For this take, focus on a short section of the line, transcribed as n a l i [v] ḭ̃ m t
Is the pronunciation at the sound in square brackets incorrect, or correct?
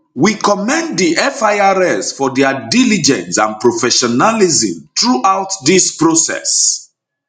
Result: incorrect